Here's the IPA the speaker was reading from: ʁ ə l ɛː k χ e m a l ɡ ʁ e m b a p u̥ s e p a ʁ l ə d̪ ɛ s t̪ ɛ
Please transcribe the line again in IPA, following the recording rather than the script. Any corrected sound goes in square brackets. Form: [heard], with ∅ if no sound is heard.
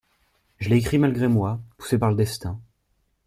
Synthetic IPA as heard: [ʒ] ə l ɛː k χ [i] m a l ɡ ʁ e m [w] a p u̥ s e p a ʁ l ə d̪ ɛ s t̪ [ɛ̃]